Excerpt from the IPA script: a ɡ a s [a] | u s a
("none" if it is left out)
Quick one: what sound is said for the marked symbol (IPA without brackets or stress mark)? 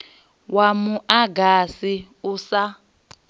i